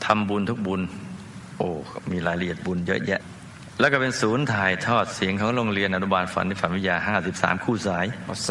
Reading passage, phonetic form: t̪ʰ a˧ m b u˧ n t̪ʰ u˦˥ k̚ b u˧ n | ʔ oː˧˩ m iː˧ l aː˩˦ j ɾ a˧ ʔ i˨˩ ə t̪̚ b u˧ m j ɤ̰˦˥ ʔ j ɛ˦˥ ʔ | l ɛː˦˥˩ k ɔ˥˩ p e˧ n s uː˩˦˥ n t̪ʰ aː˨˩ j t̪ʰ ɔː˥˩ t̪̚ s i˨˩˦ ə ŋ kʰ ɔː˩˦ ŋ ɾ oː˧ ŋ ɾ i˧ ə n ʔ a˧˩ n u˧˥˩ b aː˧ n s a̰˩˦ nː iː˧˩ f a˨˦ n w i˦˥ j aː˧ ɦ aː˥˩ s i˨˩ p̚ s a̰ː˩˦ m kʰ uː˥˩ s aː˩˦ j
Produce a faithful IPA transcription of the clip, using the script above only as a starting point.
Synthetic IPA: t̪ʰ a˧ m b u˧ n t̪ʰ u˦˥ k̚ b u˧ n | ʔ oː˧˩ m iː˧ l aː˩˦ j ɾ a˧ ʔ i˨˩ ə t̪̚ b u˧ n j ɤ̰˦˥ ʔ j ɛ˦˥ ʔ | l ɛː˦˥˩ k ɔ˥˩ p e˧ n s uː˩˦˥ n t̪ʰ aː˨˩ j t̪ʰ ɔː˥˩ t̪̚ s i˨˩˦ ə ŋ kʰ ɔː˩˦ ŋ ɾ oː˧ ŋ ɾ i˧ ə n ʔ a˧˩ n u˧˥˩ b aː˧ n f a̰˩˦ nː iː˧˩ f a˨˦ n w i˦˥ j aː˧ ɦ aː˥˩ s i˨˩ p̚ s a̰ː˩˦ m kʰ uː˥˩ s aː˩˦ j

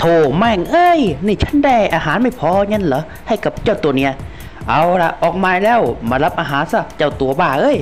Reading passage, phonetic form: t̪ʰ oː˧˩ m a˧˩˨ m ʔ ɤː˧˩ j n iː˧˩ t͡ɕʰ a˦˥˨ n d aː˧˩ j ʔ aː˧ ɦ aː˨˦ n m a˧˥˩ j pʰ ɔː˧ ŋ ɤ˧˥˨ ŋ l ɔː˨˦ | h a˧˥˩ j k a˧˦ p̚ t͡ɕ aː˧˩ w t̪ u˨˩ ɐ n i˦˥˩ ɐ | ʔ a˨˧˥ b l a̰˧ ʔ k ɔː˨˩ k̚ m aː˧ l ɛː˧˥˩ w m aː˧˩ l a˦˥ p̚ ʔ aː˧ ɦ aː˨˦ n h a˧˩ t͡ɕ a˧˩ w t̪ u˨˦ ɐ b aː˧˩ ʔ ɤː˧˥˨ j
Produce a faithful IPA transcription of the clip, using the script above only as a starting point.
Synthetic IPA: t̪ʰ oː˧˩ m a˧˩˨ ŋ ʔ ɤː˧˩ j n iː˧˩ t͡ɕʰ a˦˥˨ n d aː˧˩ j ʔ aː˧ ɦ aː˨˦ n m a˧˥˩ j pʰ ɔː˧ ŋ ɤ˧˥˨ n l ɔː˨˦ | h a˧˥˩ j k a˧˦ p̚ t͡ɕ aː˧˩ w t̪ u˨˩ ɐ n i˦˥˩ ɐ | ʔ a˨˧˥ w l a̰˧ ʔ ʔ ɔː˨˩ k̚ m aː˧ l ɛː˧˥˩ w m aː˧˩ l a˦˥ p̚ ʔ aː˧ ɦ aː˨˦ n s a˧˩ t͡ɕ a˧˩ w t̪ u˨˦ ɐ b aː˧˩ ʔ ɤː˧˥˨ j

